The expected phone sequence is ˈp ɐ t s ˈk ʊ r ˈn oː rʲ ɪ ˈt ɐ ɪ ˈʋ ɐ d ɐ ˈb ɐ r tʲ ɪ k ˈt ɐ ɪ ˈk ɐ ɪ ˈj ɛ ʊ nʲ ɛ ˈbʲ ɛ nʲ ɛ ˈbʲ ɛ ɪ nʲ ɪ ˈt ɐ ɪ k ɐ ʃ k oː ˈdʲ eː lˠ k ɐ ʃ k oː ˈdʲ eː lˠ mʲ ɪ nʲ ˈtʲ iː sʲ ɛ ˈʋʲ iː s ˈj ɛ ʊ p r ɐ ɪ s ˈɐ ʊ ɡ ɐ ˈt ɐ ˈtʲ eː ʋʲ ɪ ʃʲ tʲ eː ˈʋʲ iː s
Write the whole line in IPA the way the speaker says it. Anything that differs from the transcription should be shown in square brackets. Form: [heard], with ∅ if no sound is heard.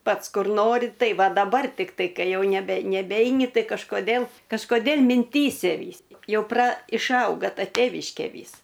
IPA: ˈp ɐ t s ˈk ʊ r ˈn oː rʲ ɪ ˈt ɐ ɪ ˈʋ ɐ d ɐ ˈb ɐ r tʲ ɪ k ˈt ɐ ɪ ˈk ɐ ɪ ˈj ɛ ʊ nʲ ɛ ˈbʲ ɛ nʲ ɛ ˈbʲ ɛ ɪ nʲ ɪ ˈt ɐ ɪ k ɐ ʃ k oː ˈdʲ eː lˠ k ɐ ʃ k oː ˈdʲ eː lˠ mʲ ɪ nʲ ˈtʲ iː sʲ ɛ ˈʋʲ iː s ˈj ɛ ʊ p r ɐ ɪ [ʃ] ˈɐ ʊ ɡ ɐ ˈt ɐ ˈtʲ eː ʋʲ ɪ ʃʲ [kʲ] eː ˈʋʲ iː s